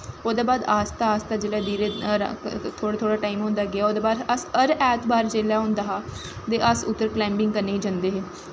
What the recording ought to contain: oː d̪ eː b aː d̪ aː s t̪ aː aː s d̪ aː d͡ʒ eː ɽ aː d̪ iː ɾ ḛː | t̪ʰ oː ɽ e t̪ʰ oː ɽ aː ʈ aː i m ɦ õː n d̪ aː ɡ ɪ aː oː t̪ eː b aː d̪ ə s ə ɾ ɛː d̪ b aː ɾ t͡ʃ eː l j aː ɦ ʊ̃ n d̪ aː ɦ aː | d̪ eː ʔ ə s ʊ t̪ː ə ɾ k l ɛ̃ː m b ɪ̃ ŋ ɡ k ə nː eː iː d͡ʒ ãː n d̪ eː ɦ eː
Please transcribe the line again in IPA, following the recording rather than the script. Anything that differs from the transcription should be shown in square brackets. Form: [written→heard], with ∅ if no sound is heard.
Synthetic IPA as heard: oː d̪ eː b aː d̪ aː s t̪ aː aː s [d̪→t̪] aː d͡ʒ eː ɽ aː d̪ iː ɾ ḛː | t̪ʰ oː ɽ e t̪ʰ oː ɽ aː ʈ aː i m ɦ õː n d̪ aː ɡ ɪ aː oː [t̪→d̪] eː b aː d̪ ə s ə ɾ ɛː [d̪→t̪] b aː ɾ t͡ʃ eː l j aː ɦ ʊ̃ n d̪ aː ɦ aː | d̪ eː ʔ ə s ʊ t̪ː ə ɾ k l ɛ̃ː m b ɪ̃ ŋ ɡ k ə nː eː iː d͡ʒ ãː n d̪ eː ɦ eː